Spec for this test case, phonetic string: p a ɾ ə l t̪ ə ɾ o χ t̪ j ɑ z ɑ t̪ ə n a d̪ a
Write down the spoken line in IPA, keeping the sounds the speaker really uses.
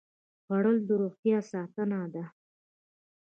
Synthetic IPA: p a ɽ ə l d̪ ə ɾ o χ t̪ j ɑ s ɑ t̪ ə n a d̪ a